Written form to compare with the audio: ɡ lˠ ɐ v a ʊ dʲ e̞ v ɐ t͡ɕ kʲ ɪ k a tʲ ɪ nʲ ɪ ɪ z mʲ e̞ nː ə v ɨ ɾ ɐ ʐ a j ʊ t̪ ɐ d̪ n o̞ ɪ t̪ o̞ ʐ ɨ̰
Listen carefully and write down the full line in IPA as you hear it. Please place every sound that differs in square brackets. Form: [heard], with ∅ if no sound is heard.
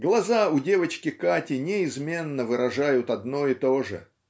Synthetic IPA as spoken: ɡ lˠ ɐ [z] a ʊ dʲ e̞ v [ə] t͡ɕ kʲ ɪ k a tʲ ɪ nʲ ɪ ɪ z mʲ e̞ nː ə v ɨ ɾ ɐ ʐ a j ʊ t̪ ɐ d̪ n o̞ ɪ t̪ o̞ ʐ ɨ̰